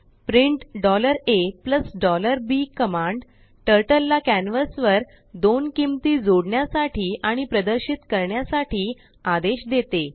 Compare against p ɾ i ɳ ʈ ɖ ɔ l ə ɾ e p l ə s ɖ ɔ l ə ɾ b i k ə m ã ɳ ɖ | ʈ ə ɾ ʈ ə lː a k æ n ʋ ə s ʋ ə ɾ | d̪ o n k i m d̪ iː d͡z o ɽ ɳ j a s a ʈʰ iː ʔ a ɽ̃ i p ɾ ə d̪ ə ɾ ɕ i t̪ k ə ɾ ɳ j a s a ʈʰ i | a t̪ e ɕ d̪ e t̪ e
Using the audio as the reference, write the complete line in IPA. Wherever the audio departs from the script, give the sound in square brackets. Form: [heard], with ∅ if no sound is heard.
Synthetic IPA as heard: p ɾ i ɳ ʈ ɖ ɔ l ə ɾ e p l ə s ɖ ɔ l ə ɾ b i k ə m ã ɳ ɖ | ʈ ə ɾ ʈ ə lː a k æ n ʋ ə s ʋ ə ɾ | d̪ o n k i m [t̪] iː d͡z o ɽ ɳ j a s a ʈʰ iː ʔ a ɽ̃ i p ɾ ə d̪ ə ɾ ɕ i t̪ k ə ɾ ɳ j a s a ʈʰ [iː] | a [d̪] e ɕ d̪ e t̪ e

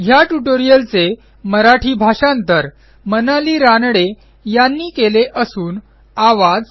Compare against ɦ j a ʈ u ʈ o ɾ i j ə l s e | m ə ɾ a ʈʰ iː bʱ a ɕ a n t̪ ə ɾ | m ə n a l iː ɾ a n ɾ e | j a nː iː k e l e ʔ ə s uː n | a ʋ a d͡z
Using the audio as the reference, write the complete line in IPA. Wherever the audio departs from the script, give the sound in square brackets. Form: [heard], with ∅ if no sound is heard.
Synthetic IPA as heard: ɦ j a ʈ u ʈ o ɾ i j ə l [t͡s] e | m ə ɾ a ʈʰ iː bʱ a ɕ a n t̪ ə ɾ | m ə n a l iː ɾ a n [ɽ] e | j a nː iː k e l e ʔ ə s uː n | a ʋ a d͡z

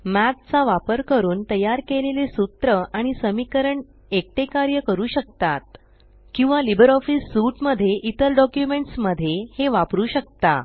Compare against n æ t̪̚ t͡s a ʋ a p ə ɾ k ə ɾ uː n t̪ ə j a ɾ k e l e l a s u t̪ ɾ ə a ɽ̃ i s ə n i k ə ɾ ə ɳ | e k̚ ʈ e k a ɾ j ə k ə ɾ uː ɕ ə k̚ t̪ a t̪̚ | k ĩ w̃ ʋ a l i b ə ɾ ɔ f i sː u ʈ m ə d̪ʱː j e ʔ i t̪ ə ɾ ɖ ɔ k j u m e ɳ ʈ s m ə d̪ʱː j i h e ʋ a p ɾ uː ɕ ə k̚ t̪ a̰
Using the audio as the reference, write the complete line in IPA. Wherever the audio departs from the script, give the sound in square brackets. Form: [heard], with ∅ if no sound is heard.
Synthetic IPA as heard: [m] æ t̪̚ t͡s a ʋ a p ə ɾ k ə ɾ uː n t̪ ə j a ɾ k e l e l [e] s u t̪ ɾ ə a ɽ̃ i s ə [m] i k ə ɾ ə ɳ | e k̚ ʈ e k a ɾ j ə k ə ɾ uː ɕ ə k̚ t̪ a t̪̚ | k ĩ w̃ ʋ a l i b ə ɾ ɔ f i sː u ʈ m ə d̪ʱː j e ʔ i t̪ ə ɾ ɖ ɔ k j u m e ɳ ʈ s m ə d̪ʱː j [e] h e ʋ a p ɾ uː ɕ ə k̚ t̪ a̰

